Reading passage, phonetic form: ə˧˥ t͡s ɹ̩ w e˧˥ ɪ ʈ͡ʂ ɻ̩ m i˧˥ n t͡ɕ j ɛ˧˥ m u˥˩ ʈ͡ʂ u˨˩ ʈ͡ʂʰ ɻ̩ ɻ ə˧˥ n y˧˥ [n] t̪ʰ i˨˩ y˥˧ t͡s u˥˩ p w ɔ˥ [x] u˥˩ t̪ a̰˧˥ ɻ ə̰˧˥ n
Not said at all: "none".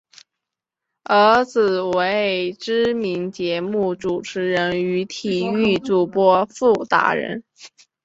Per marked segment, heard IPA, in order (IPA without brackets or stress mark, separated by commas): none, f